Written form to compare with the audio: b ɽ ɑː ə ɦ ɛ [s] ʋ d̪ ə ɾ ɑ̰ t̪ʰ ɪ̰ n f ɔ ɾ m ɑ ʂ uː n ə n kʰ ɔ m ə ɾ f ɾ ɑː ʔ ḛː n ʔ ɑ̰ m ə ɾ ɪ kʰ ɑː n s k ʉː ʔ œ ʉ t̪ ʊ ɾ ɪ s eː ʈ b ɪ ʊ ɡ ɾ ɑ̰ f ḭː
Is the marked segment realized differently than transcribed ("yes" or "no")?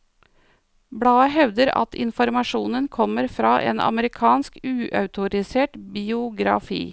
yes